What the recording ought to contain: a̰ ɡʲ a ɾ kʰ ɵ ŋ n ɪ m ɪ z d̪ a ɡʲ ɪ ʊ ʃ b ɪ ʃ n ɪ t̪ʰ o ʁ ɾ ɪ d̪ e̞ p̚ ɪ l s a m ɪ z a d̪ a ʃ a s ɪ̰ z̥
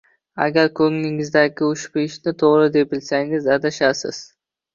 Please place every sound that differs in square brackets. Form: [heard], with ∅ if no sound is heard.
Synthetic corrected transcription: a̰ ɡʲ a ɾ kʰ ɵ ŋ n ɪ [ŋ] ɪ z d̪ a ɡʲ ɪ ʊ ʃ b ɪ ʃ n ɪ t̪ʰ o ʁ ɾ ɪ d̪ e̞ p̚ ɪ l s a [ŋ] ɪ z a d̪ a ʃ a s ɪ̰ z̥